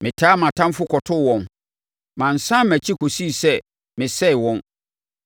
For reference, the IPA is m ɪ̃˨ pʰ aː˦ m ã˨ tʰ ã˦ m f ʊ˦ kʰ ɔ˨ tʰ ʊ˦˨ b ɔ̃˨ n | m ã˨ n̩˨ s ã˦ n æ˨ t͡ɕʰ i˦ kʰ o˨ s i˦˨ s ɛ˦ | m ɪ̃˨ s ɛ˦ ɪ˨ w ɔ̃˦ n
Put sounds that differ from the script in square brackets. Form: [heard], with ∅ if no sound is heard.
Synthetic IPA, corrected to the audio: m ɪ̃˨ [tʰ] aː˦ m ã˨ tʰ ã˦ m f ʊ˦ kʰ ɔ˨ tʰ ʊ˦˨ [w] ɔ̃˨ n | m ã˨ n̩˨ s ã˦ [m] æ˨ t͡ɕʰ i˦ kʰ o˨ s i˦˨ s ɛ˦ | m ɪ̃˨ s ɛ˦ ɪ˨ w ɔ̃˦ n